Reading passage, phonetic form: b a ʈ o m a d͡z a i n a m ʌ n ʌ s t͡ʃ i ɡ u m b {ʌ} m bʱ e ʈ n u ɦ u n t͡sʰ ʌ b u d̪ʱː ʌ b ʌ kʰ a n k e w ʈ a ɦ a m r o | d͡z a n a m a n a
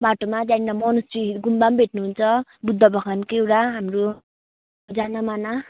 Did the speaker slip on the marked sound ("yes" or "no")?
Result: yes